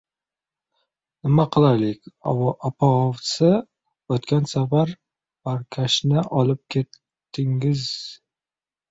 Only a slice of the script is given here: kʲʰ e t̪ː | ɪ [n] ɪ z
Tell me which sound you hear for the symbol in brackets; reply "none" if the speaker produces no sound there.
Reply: ŋ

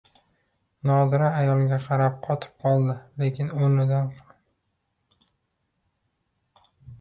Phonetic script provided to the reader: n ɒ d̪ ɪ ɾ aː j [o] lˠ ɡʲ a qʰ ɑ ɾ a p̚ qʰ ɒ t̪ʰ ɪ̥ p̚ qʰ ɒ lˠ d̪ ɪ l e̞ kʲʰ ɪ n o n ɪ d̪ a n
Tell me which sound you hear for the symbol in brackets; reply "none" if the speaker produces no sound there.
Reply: ɒ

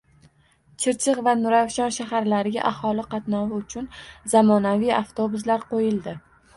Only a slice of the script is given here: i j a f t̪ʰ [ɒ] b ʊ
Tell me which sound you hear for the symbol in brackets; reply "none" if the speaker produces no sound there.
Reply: o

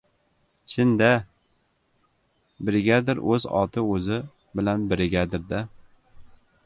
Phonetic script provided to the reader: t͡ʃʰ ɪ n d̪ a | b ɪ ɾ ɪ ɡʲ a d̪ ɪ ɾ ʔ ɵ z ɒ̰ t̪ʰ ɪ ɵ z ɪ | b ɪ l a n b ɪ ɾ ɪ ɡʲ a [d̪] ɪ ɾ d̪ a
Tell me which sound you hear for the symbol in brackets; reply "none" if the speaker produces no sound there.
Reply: d̪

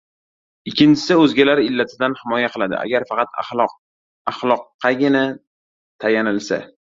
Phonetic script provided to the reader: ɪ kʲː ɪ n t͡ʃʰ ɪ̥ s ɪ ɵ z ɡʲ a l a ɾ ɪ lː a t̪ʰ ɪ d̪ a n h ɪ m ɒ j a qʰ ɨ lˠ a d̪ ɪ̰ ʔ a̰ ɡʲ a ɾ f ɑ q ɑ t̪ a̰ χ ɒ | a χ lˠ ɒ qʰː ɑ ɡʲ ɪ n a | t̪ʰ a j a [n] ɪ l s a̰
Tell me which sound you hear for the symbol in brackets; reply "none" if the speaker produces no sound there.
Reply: n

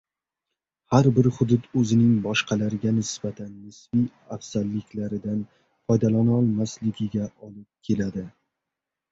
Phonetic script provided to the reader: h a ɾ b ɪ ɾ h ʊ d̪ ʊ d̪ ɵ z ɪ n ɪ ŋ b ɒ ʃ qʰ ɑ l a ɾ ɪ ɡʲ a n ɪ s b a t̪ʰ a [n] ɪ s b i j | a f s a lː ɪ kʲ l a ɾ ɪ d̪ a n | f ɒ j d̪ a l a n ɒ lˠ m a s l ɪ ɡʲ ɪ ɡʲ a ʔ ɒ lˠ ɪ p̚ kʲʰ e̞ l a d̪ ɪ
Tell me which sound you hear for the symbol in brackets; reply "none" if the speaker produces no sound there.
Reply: nː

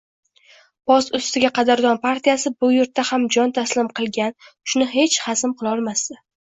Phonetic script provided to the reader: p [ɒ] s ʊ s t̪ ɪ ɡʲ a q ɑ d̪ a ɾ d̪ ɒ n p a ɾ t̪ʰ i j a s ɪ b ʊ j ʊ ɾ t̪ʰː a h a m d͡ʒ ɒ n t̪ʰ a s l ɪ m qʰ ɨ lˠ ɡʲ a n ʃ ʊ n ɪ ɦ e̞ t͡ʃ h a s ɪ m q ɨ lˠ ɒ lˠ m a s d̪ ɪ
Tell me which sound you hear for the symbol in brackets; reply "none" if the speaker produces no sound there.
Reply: ɒ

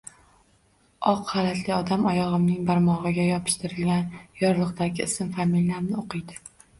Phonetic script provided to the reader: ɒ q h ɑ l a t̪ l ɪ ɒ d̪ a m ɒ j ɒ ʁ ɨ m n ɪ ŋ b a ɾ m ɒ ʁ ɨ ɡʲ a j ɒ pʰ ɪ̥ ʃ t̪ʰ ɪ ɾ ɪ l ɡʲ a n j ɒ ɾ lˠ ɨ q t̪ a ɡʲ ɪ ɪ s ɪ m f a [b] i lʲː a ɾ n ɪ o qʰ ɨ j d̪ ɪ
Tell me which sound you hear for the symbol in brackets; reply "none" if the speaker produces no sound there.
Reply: m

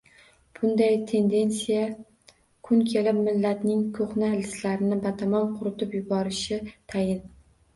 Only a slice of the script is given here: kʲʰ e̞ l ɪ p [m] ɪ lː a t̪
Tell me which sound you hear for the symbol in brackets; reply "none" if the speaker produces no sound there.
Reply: m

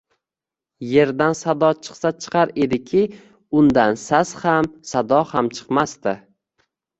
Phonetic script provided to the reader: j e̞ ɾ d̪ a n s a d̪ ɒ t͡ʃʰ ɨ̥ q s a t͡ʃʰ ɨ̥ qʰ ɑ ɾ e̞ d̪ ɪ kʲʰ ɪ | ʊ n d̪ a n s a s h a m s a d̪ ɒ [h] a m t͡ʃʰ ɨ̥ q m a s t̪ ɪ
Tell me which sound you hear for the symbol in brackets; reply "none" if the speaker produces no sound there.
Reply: h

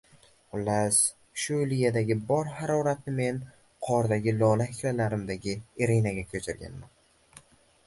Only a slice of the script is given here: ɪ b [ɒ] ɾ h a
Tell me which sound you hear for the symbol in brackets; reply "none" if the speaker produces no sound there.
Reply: ɒ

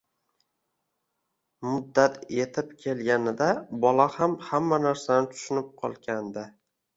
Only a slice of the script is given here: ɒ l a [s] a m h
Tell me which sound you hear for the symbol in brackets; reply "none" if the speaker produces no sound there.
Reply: h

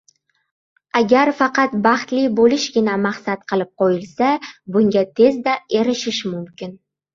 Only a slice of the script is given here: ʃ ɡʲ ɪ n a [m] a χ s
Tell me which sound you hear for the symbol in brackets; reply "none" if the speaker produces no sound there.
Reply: m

